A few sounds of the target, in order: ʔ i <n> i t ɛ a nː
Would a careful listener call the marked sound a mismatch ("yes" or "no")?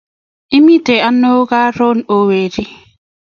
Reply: yes